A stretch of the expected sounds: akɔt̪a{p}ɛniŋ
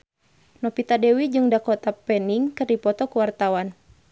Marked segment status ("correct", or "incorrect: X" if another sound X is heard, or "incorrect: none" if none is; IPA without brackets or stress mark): correct